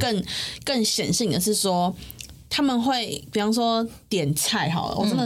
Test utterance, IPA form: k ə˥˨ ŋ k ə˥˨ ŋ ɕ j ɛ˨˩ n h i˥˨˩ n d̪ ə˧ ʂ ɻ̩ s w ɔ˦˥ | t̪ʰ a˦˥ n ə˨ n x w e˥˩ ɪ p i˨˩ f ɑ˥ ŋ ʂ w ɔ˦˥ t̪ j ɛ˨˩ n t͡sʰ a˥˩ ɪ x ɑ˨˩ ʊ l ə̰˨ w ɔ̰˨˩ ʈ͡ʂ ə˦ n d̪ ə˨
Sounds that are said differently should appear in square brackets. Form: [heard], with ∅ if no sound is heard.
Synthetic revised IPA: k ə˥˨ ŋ k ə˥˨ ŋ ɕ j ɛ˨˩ n [ɕ] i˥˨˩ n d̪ [ə˩] ʂ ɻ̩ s w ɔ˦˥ | t̪ʰ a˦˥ [m] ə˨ n x w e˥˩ ɪ p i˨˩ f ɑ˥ ŋ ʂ w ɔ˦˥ t̪ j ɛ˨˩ n t͡sʰ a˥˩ ɪ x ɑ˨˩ ʊ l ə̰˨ w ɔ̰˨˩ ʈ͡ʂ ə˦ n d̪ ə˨